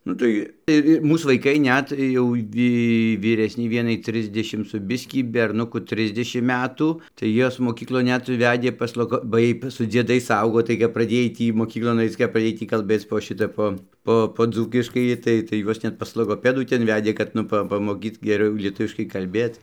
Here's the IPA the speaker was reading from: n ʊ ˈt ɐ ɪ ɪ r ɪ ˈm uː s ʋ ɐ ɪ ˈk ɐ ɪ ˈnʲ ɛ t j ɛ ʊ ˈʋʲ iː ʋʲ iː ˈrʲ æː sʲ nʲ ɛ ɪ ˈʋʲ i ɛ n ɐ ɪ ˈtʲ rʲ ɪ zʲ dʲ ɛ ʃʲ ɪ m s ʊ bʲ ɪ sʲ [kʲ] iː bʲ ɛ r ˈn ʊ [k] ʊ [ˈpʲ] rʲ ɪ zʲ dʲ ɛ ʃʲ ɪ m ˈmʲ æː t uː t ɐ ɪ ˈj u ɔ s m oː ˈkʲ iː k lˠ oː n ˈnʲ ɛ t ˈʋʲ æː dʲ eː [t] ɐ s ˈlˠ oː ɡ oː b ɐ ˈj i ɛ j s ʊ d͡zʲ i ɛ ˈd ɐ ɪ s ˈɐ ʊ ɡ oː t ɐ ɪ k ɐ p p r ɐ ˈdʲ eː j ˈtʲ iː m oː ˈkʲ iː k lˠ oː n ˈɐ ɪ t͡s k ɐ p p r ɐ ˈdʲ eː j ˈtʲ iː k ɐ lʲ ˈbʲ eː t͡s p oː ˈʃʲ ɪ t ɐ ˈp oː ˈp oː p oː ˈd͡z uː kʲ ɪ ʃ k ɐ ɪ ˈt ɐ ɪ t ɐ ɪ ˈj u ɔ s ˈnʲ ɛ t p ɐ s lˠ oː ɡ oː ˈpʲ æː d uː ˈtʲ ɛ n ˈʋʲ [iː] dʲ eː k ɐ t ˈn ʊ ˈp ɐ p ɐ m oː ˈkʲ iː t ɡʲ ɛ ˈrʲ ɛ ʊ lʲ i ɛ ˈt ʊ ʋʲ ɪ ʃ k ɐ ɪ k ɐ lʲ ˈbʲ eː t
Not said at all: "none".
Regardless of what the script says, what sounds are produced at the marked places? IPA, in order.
kʲ, k, tʲ, p, æː

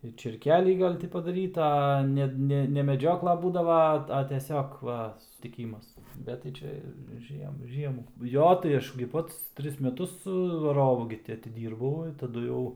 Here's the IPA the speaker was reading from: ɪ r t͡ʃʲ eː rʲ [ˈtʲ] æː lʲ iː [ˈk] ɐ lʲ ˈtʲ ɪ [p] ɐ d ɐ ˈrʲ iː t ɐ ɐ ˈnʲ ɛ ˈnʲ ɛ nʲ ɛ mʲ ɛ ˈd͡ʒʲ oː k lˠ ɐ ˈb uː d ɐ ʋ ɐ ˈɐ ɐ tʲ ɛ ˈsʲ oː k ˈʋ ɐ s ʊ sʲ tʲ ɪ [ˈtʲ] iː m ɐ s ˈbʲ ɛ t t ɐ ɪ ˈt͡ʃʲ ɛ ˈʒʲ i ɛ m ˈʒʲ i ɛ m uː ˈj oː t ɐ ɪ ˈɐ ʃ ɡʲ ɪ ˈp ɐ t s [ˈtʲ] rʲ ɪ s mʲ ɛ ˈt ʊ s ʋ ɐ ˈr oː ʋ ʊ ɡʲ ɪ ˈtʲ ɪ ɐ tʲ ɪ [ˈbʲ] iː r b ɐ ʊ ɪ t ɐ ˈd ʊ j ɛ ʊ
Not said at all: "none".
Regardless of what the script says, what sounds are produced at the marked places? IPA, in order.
kʲ, ɡ, p, kʲ, tʲ, dʲ

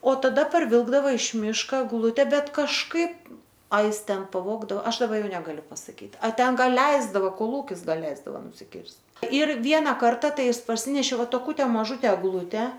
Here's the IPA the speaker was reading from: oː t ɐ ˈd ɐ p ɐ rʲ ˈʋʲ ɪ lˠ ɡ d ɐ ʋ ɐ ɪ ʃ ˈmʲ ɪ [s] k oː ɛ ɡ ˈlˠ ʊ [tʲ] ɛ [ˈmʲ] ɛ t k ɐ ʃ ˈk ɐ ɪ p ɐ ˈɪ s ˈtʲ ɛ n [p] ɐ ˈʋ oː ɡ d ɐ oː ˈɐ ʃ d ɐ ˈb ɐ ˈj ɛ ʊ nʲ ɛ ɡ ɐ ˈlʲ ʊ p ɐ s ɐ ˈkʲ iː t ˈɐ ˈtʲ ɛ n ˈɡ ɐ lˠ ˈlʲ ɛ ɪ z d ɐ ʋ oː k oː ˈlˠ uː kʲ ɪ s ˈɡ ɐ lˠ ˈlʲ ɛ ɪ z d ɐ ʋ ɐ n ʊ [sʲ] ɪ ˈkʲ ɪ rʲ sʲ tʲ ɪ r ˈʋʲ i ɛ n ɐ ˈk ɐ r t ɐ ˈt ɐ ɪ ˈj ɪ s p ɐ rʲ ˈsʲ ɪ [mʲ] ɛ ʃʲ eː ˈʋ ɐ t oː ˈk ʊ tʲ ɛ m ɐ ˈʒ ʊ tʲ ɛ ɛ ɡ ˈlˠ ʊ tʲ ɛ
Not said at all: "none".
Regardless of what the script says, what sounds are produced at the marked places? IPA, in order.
ʃ, tʲ, bʲ, p, sʲ, nʲ

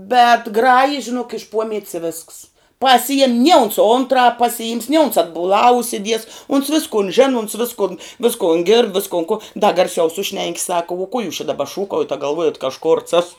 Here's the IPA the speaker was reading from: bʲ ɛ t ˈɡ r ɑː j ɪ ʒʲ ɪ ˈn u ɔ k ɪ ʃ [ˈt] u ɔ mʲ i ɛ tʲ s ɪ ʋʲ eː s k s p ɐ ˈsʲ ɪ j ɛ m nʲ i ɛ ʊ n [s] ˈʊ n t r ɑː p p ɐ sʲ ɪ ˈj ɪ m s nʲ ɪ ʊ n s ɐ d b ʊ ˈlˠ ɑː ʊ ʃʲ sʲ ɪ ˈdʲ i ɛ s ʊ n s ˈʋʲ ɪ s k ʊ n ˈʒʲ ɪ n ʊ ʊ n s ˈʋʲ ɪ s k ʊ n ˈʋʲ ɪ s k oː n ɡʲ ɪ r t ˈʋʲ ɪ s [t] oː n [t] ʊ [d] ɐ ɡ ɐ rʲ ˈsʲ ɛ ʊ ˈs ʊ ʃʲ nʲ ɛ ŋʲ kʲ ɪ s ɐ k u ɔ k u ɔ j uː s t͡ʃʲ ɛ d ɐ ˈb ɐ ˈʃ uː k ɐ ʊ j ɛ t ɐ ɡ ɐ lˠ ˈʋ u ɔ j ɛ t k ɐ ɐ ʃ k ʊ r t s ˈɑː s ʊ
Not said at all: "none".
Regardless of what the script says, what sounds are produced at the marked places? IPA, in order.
p, s, k, k, d

